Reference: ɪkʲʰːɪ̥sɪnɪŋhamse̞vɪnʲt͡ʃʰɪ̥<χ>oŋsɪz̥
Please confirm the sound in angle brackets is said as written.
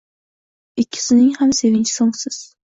no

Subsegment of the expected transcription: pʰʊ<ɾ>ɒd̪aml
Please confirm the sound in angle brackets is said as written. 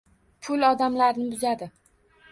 no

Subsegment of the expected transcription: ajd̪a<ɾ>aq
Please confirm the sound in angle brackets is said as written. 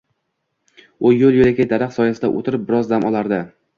yes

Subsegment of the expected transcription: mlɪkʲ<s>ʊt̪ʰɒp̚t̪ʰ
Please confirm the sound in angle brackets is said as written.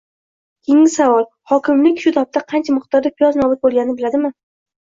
no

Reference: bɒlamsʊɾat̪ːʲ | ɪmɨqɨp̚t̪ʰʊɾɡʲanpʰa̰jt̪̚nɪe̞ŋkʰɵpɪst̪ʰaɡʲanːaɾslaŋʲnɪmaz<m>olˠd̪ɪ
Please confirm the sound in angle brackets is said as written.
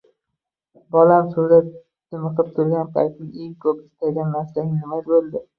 no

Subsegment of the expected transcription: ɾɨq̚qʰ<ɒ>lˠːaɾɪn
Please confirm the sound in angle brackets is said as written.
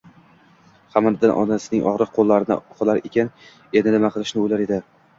no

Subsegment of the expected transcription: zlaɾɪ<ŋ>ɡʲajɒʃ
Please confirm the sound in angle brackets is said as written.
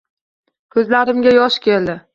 no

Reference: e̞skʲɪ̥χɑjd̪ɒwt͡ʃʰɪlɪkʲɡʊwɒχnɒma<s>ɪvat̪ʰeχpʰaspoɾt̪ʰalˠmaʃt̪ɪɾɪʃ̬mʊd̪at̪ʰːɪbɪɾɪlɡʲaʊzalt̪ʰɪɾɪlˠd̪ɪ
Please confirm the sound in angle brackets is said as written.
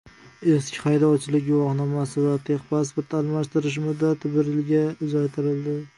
yes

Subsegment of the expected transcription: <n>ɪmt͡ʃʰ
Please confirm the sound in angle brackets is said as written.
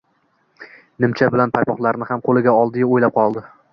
yes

